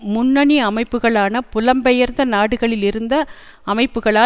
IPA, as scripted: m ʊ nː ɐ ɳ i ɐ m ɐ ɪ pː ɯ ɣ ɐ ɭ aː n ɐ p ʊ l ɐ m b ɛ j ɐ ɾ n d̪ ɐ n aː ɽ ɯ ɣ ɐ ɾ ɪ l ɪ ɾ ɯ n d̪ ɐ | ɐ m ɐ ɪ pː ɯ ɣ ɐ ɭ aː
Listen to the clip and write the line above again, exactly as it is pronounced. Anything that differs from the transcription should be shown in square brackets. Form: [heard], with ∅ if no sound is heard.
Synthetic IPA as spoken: m ʊ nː ɐ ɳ i ɐ m ɐ ɪ pː ɯ ɣ ɐ ɭ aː n ɐ p ʊ l ɐ m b ɛ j ɐ ɾ n d̪ ɐ n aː ɽ ɯ ɣ ɐ [ɭ] ɪ l ɪ ɾ ɯ n d̪ ɐ | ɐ m ɐ ɪ pː ɯ ɣ ɐ ɭ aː